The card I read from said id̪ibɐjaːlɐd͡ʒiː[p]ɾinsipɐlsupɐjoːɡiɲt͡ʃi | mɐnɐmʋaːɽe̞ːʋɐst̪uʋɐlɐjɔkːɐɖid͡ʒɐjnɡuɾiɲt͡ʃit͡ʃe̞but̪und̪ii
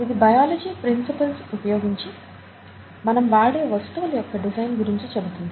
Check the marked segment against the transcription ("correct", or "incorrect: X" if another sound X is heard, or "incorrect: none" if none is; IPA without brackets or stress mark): correct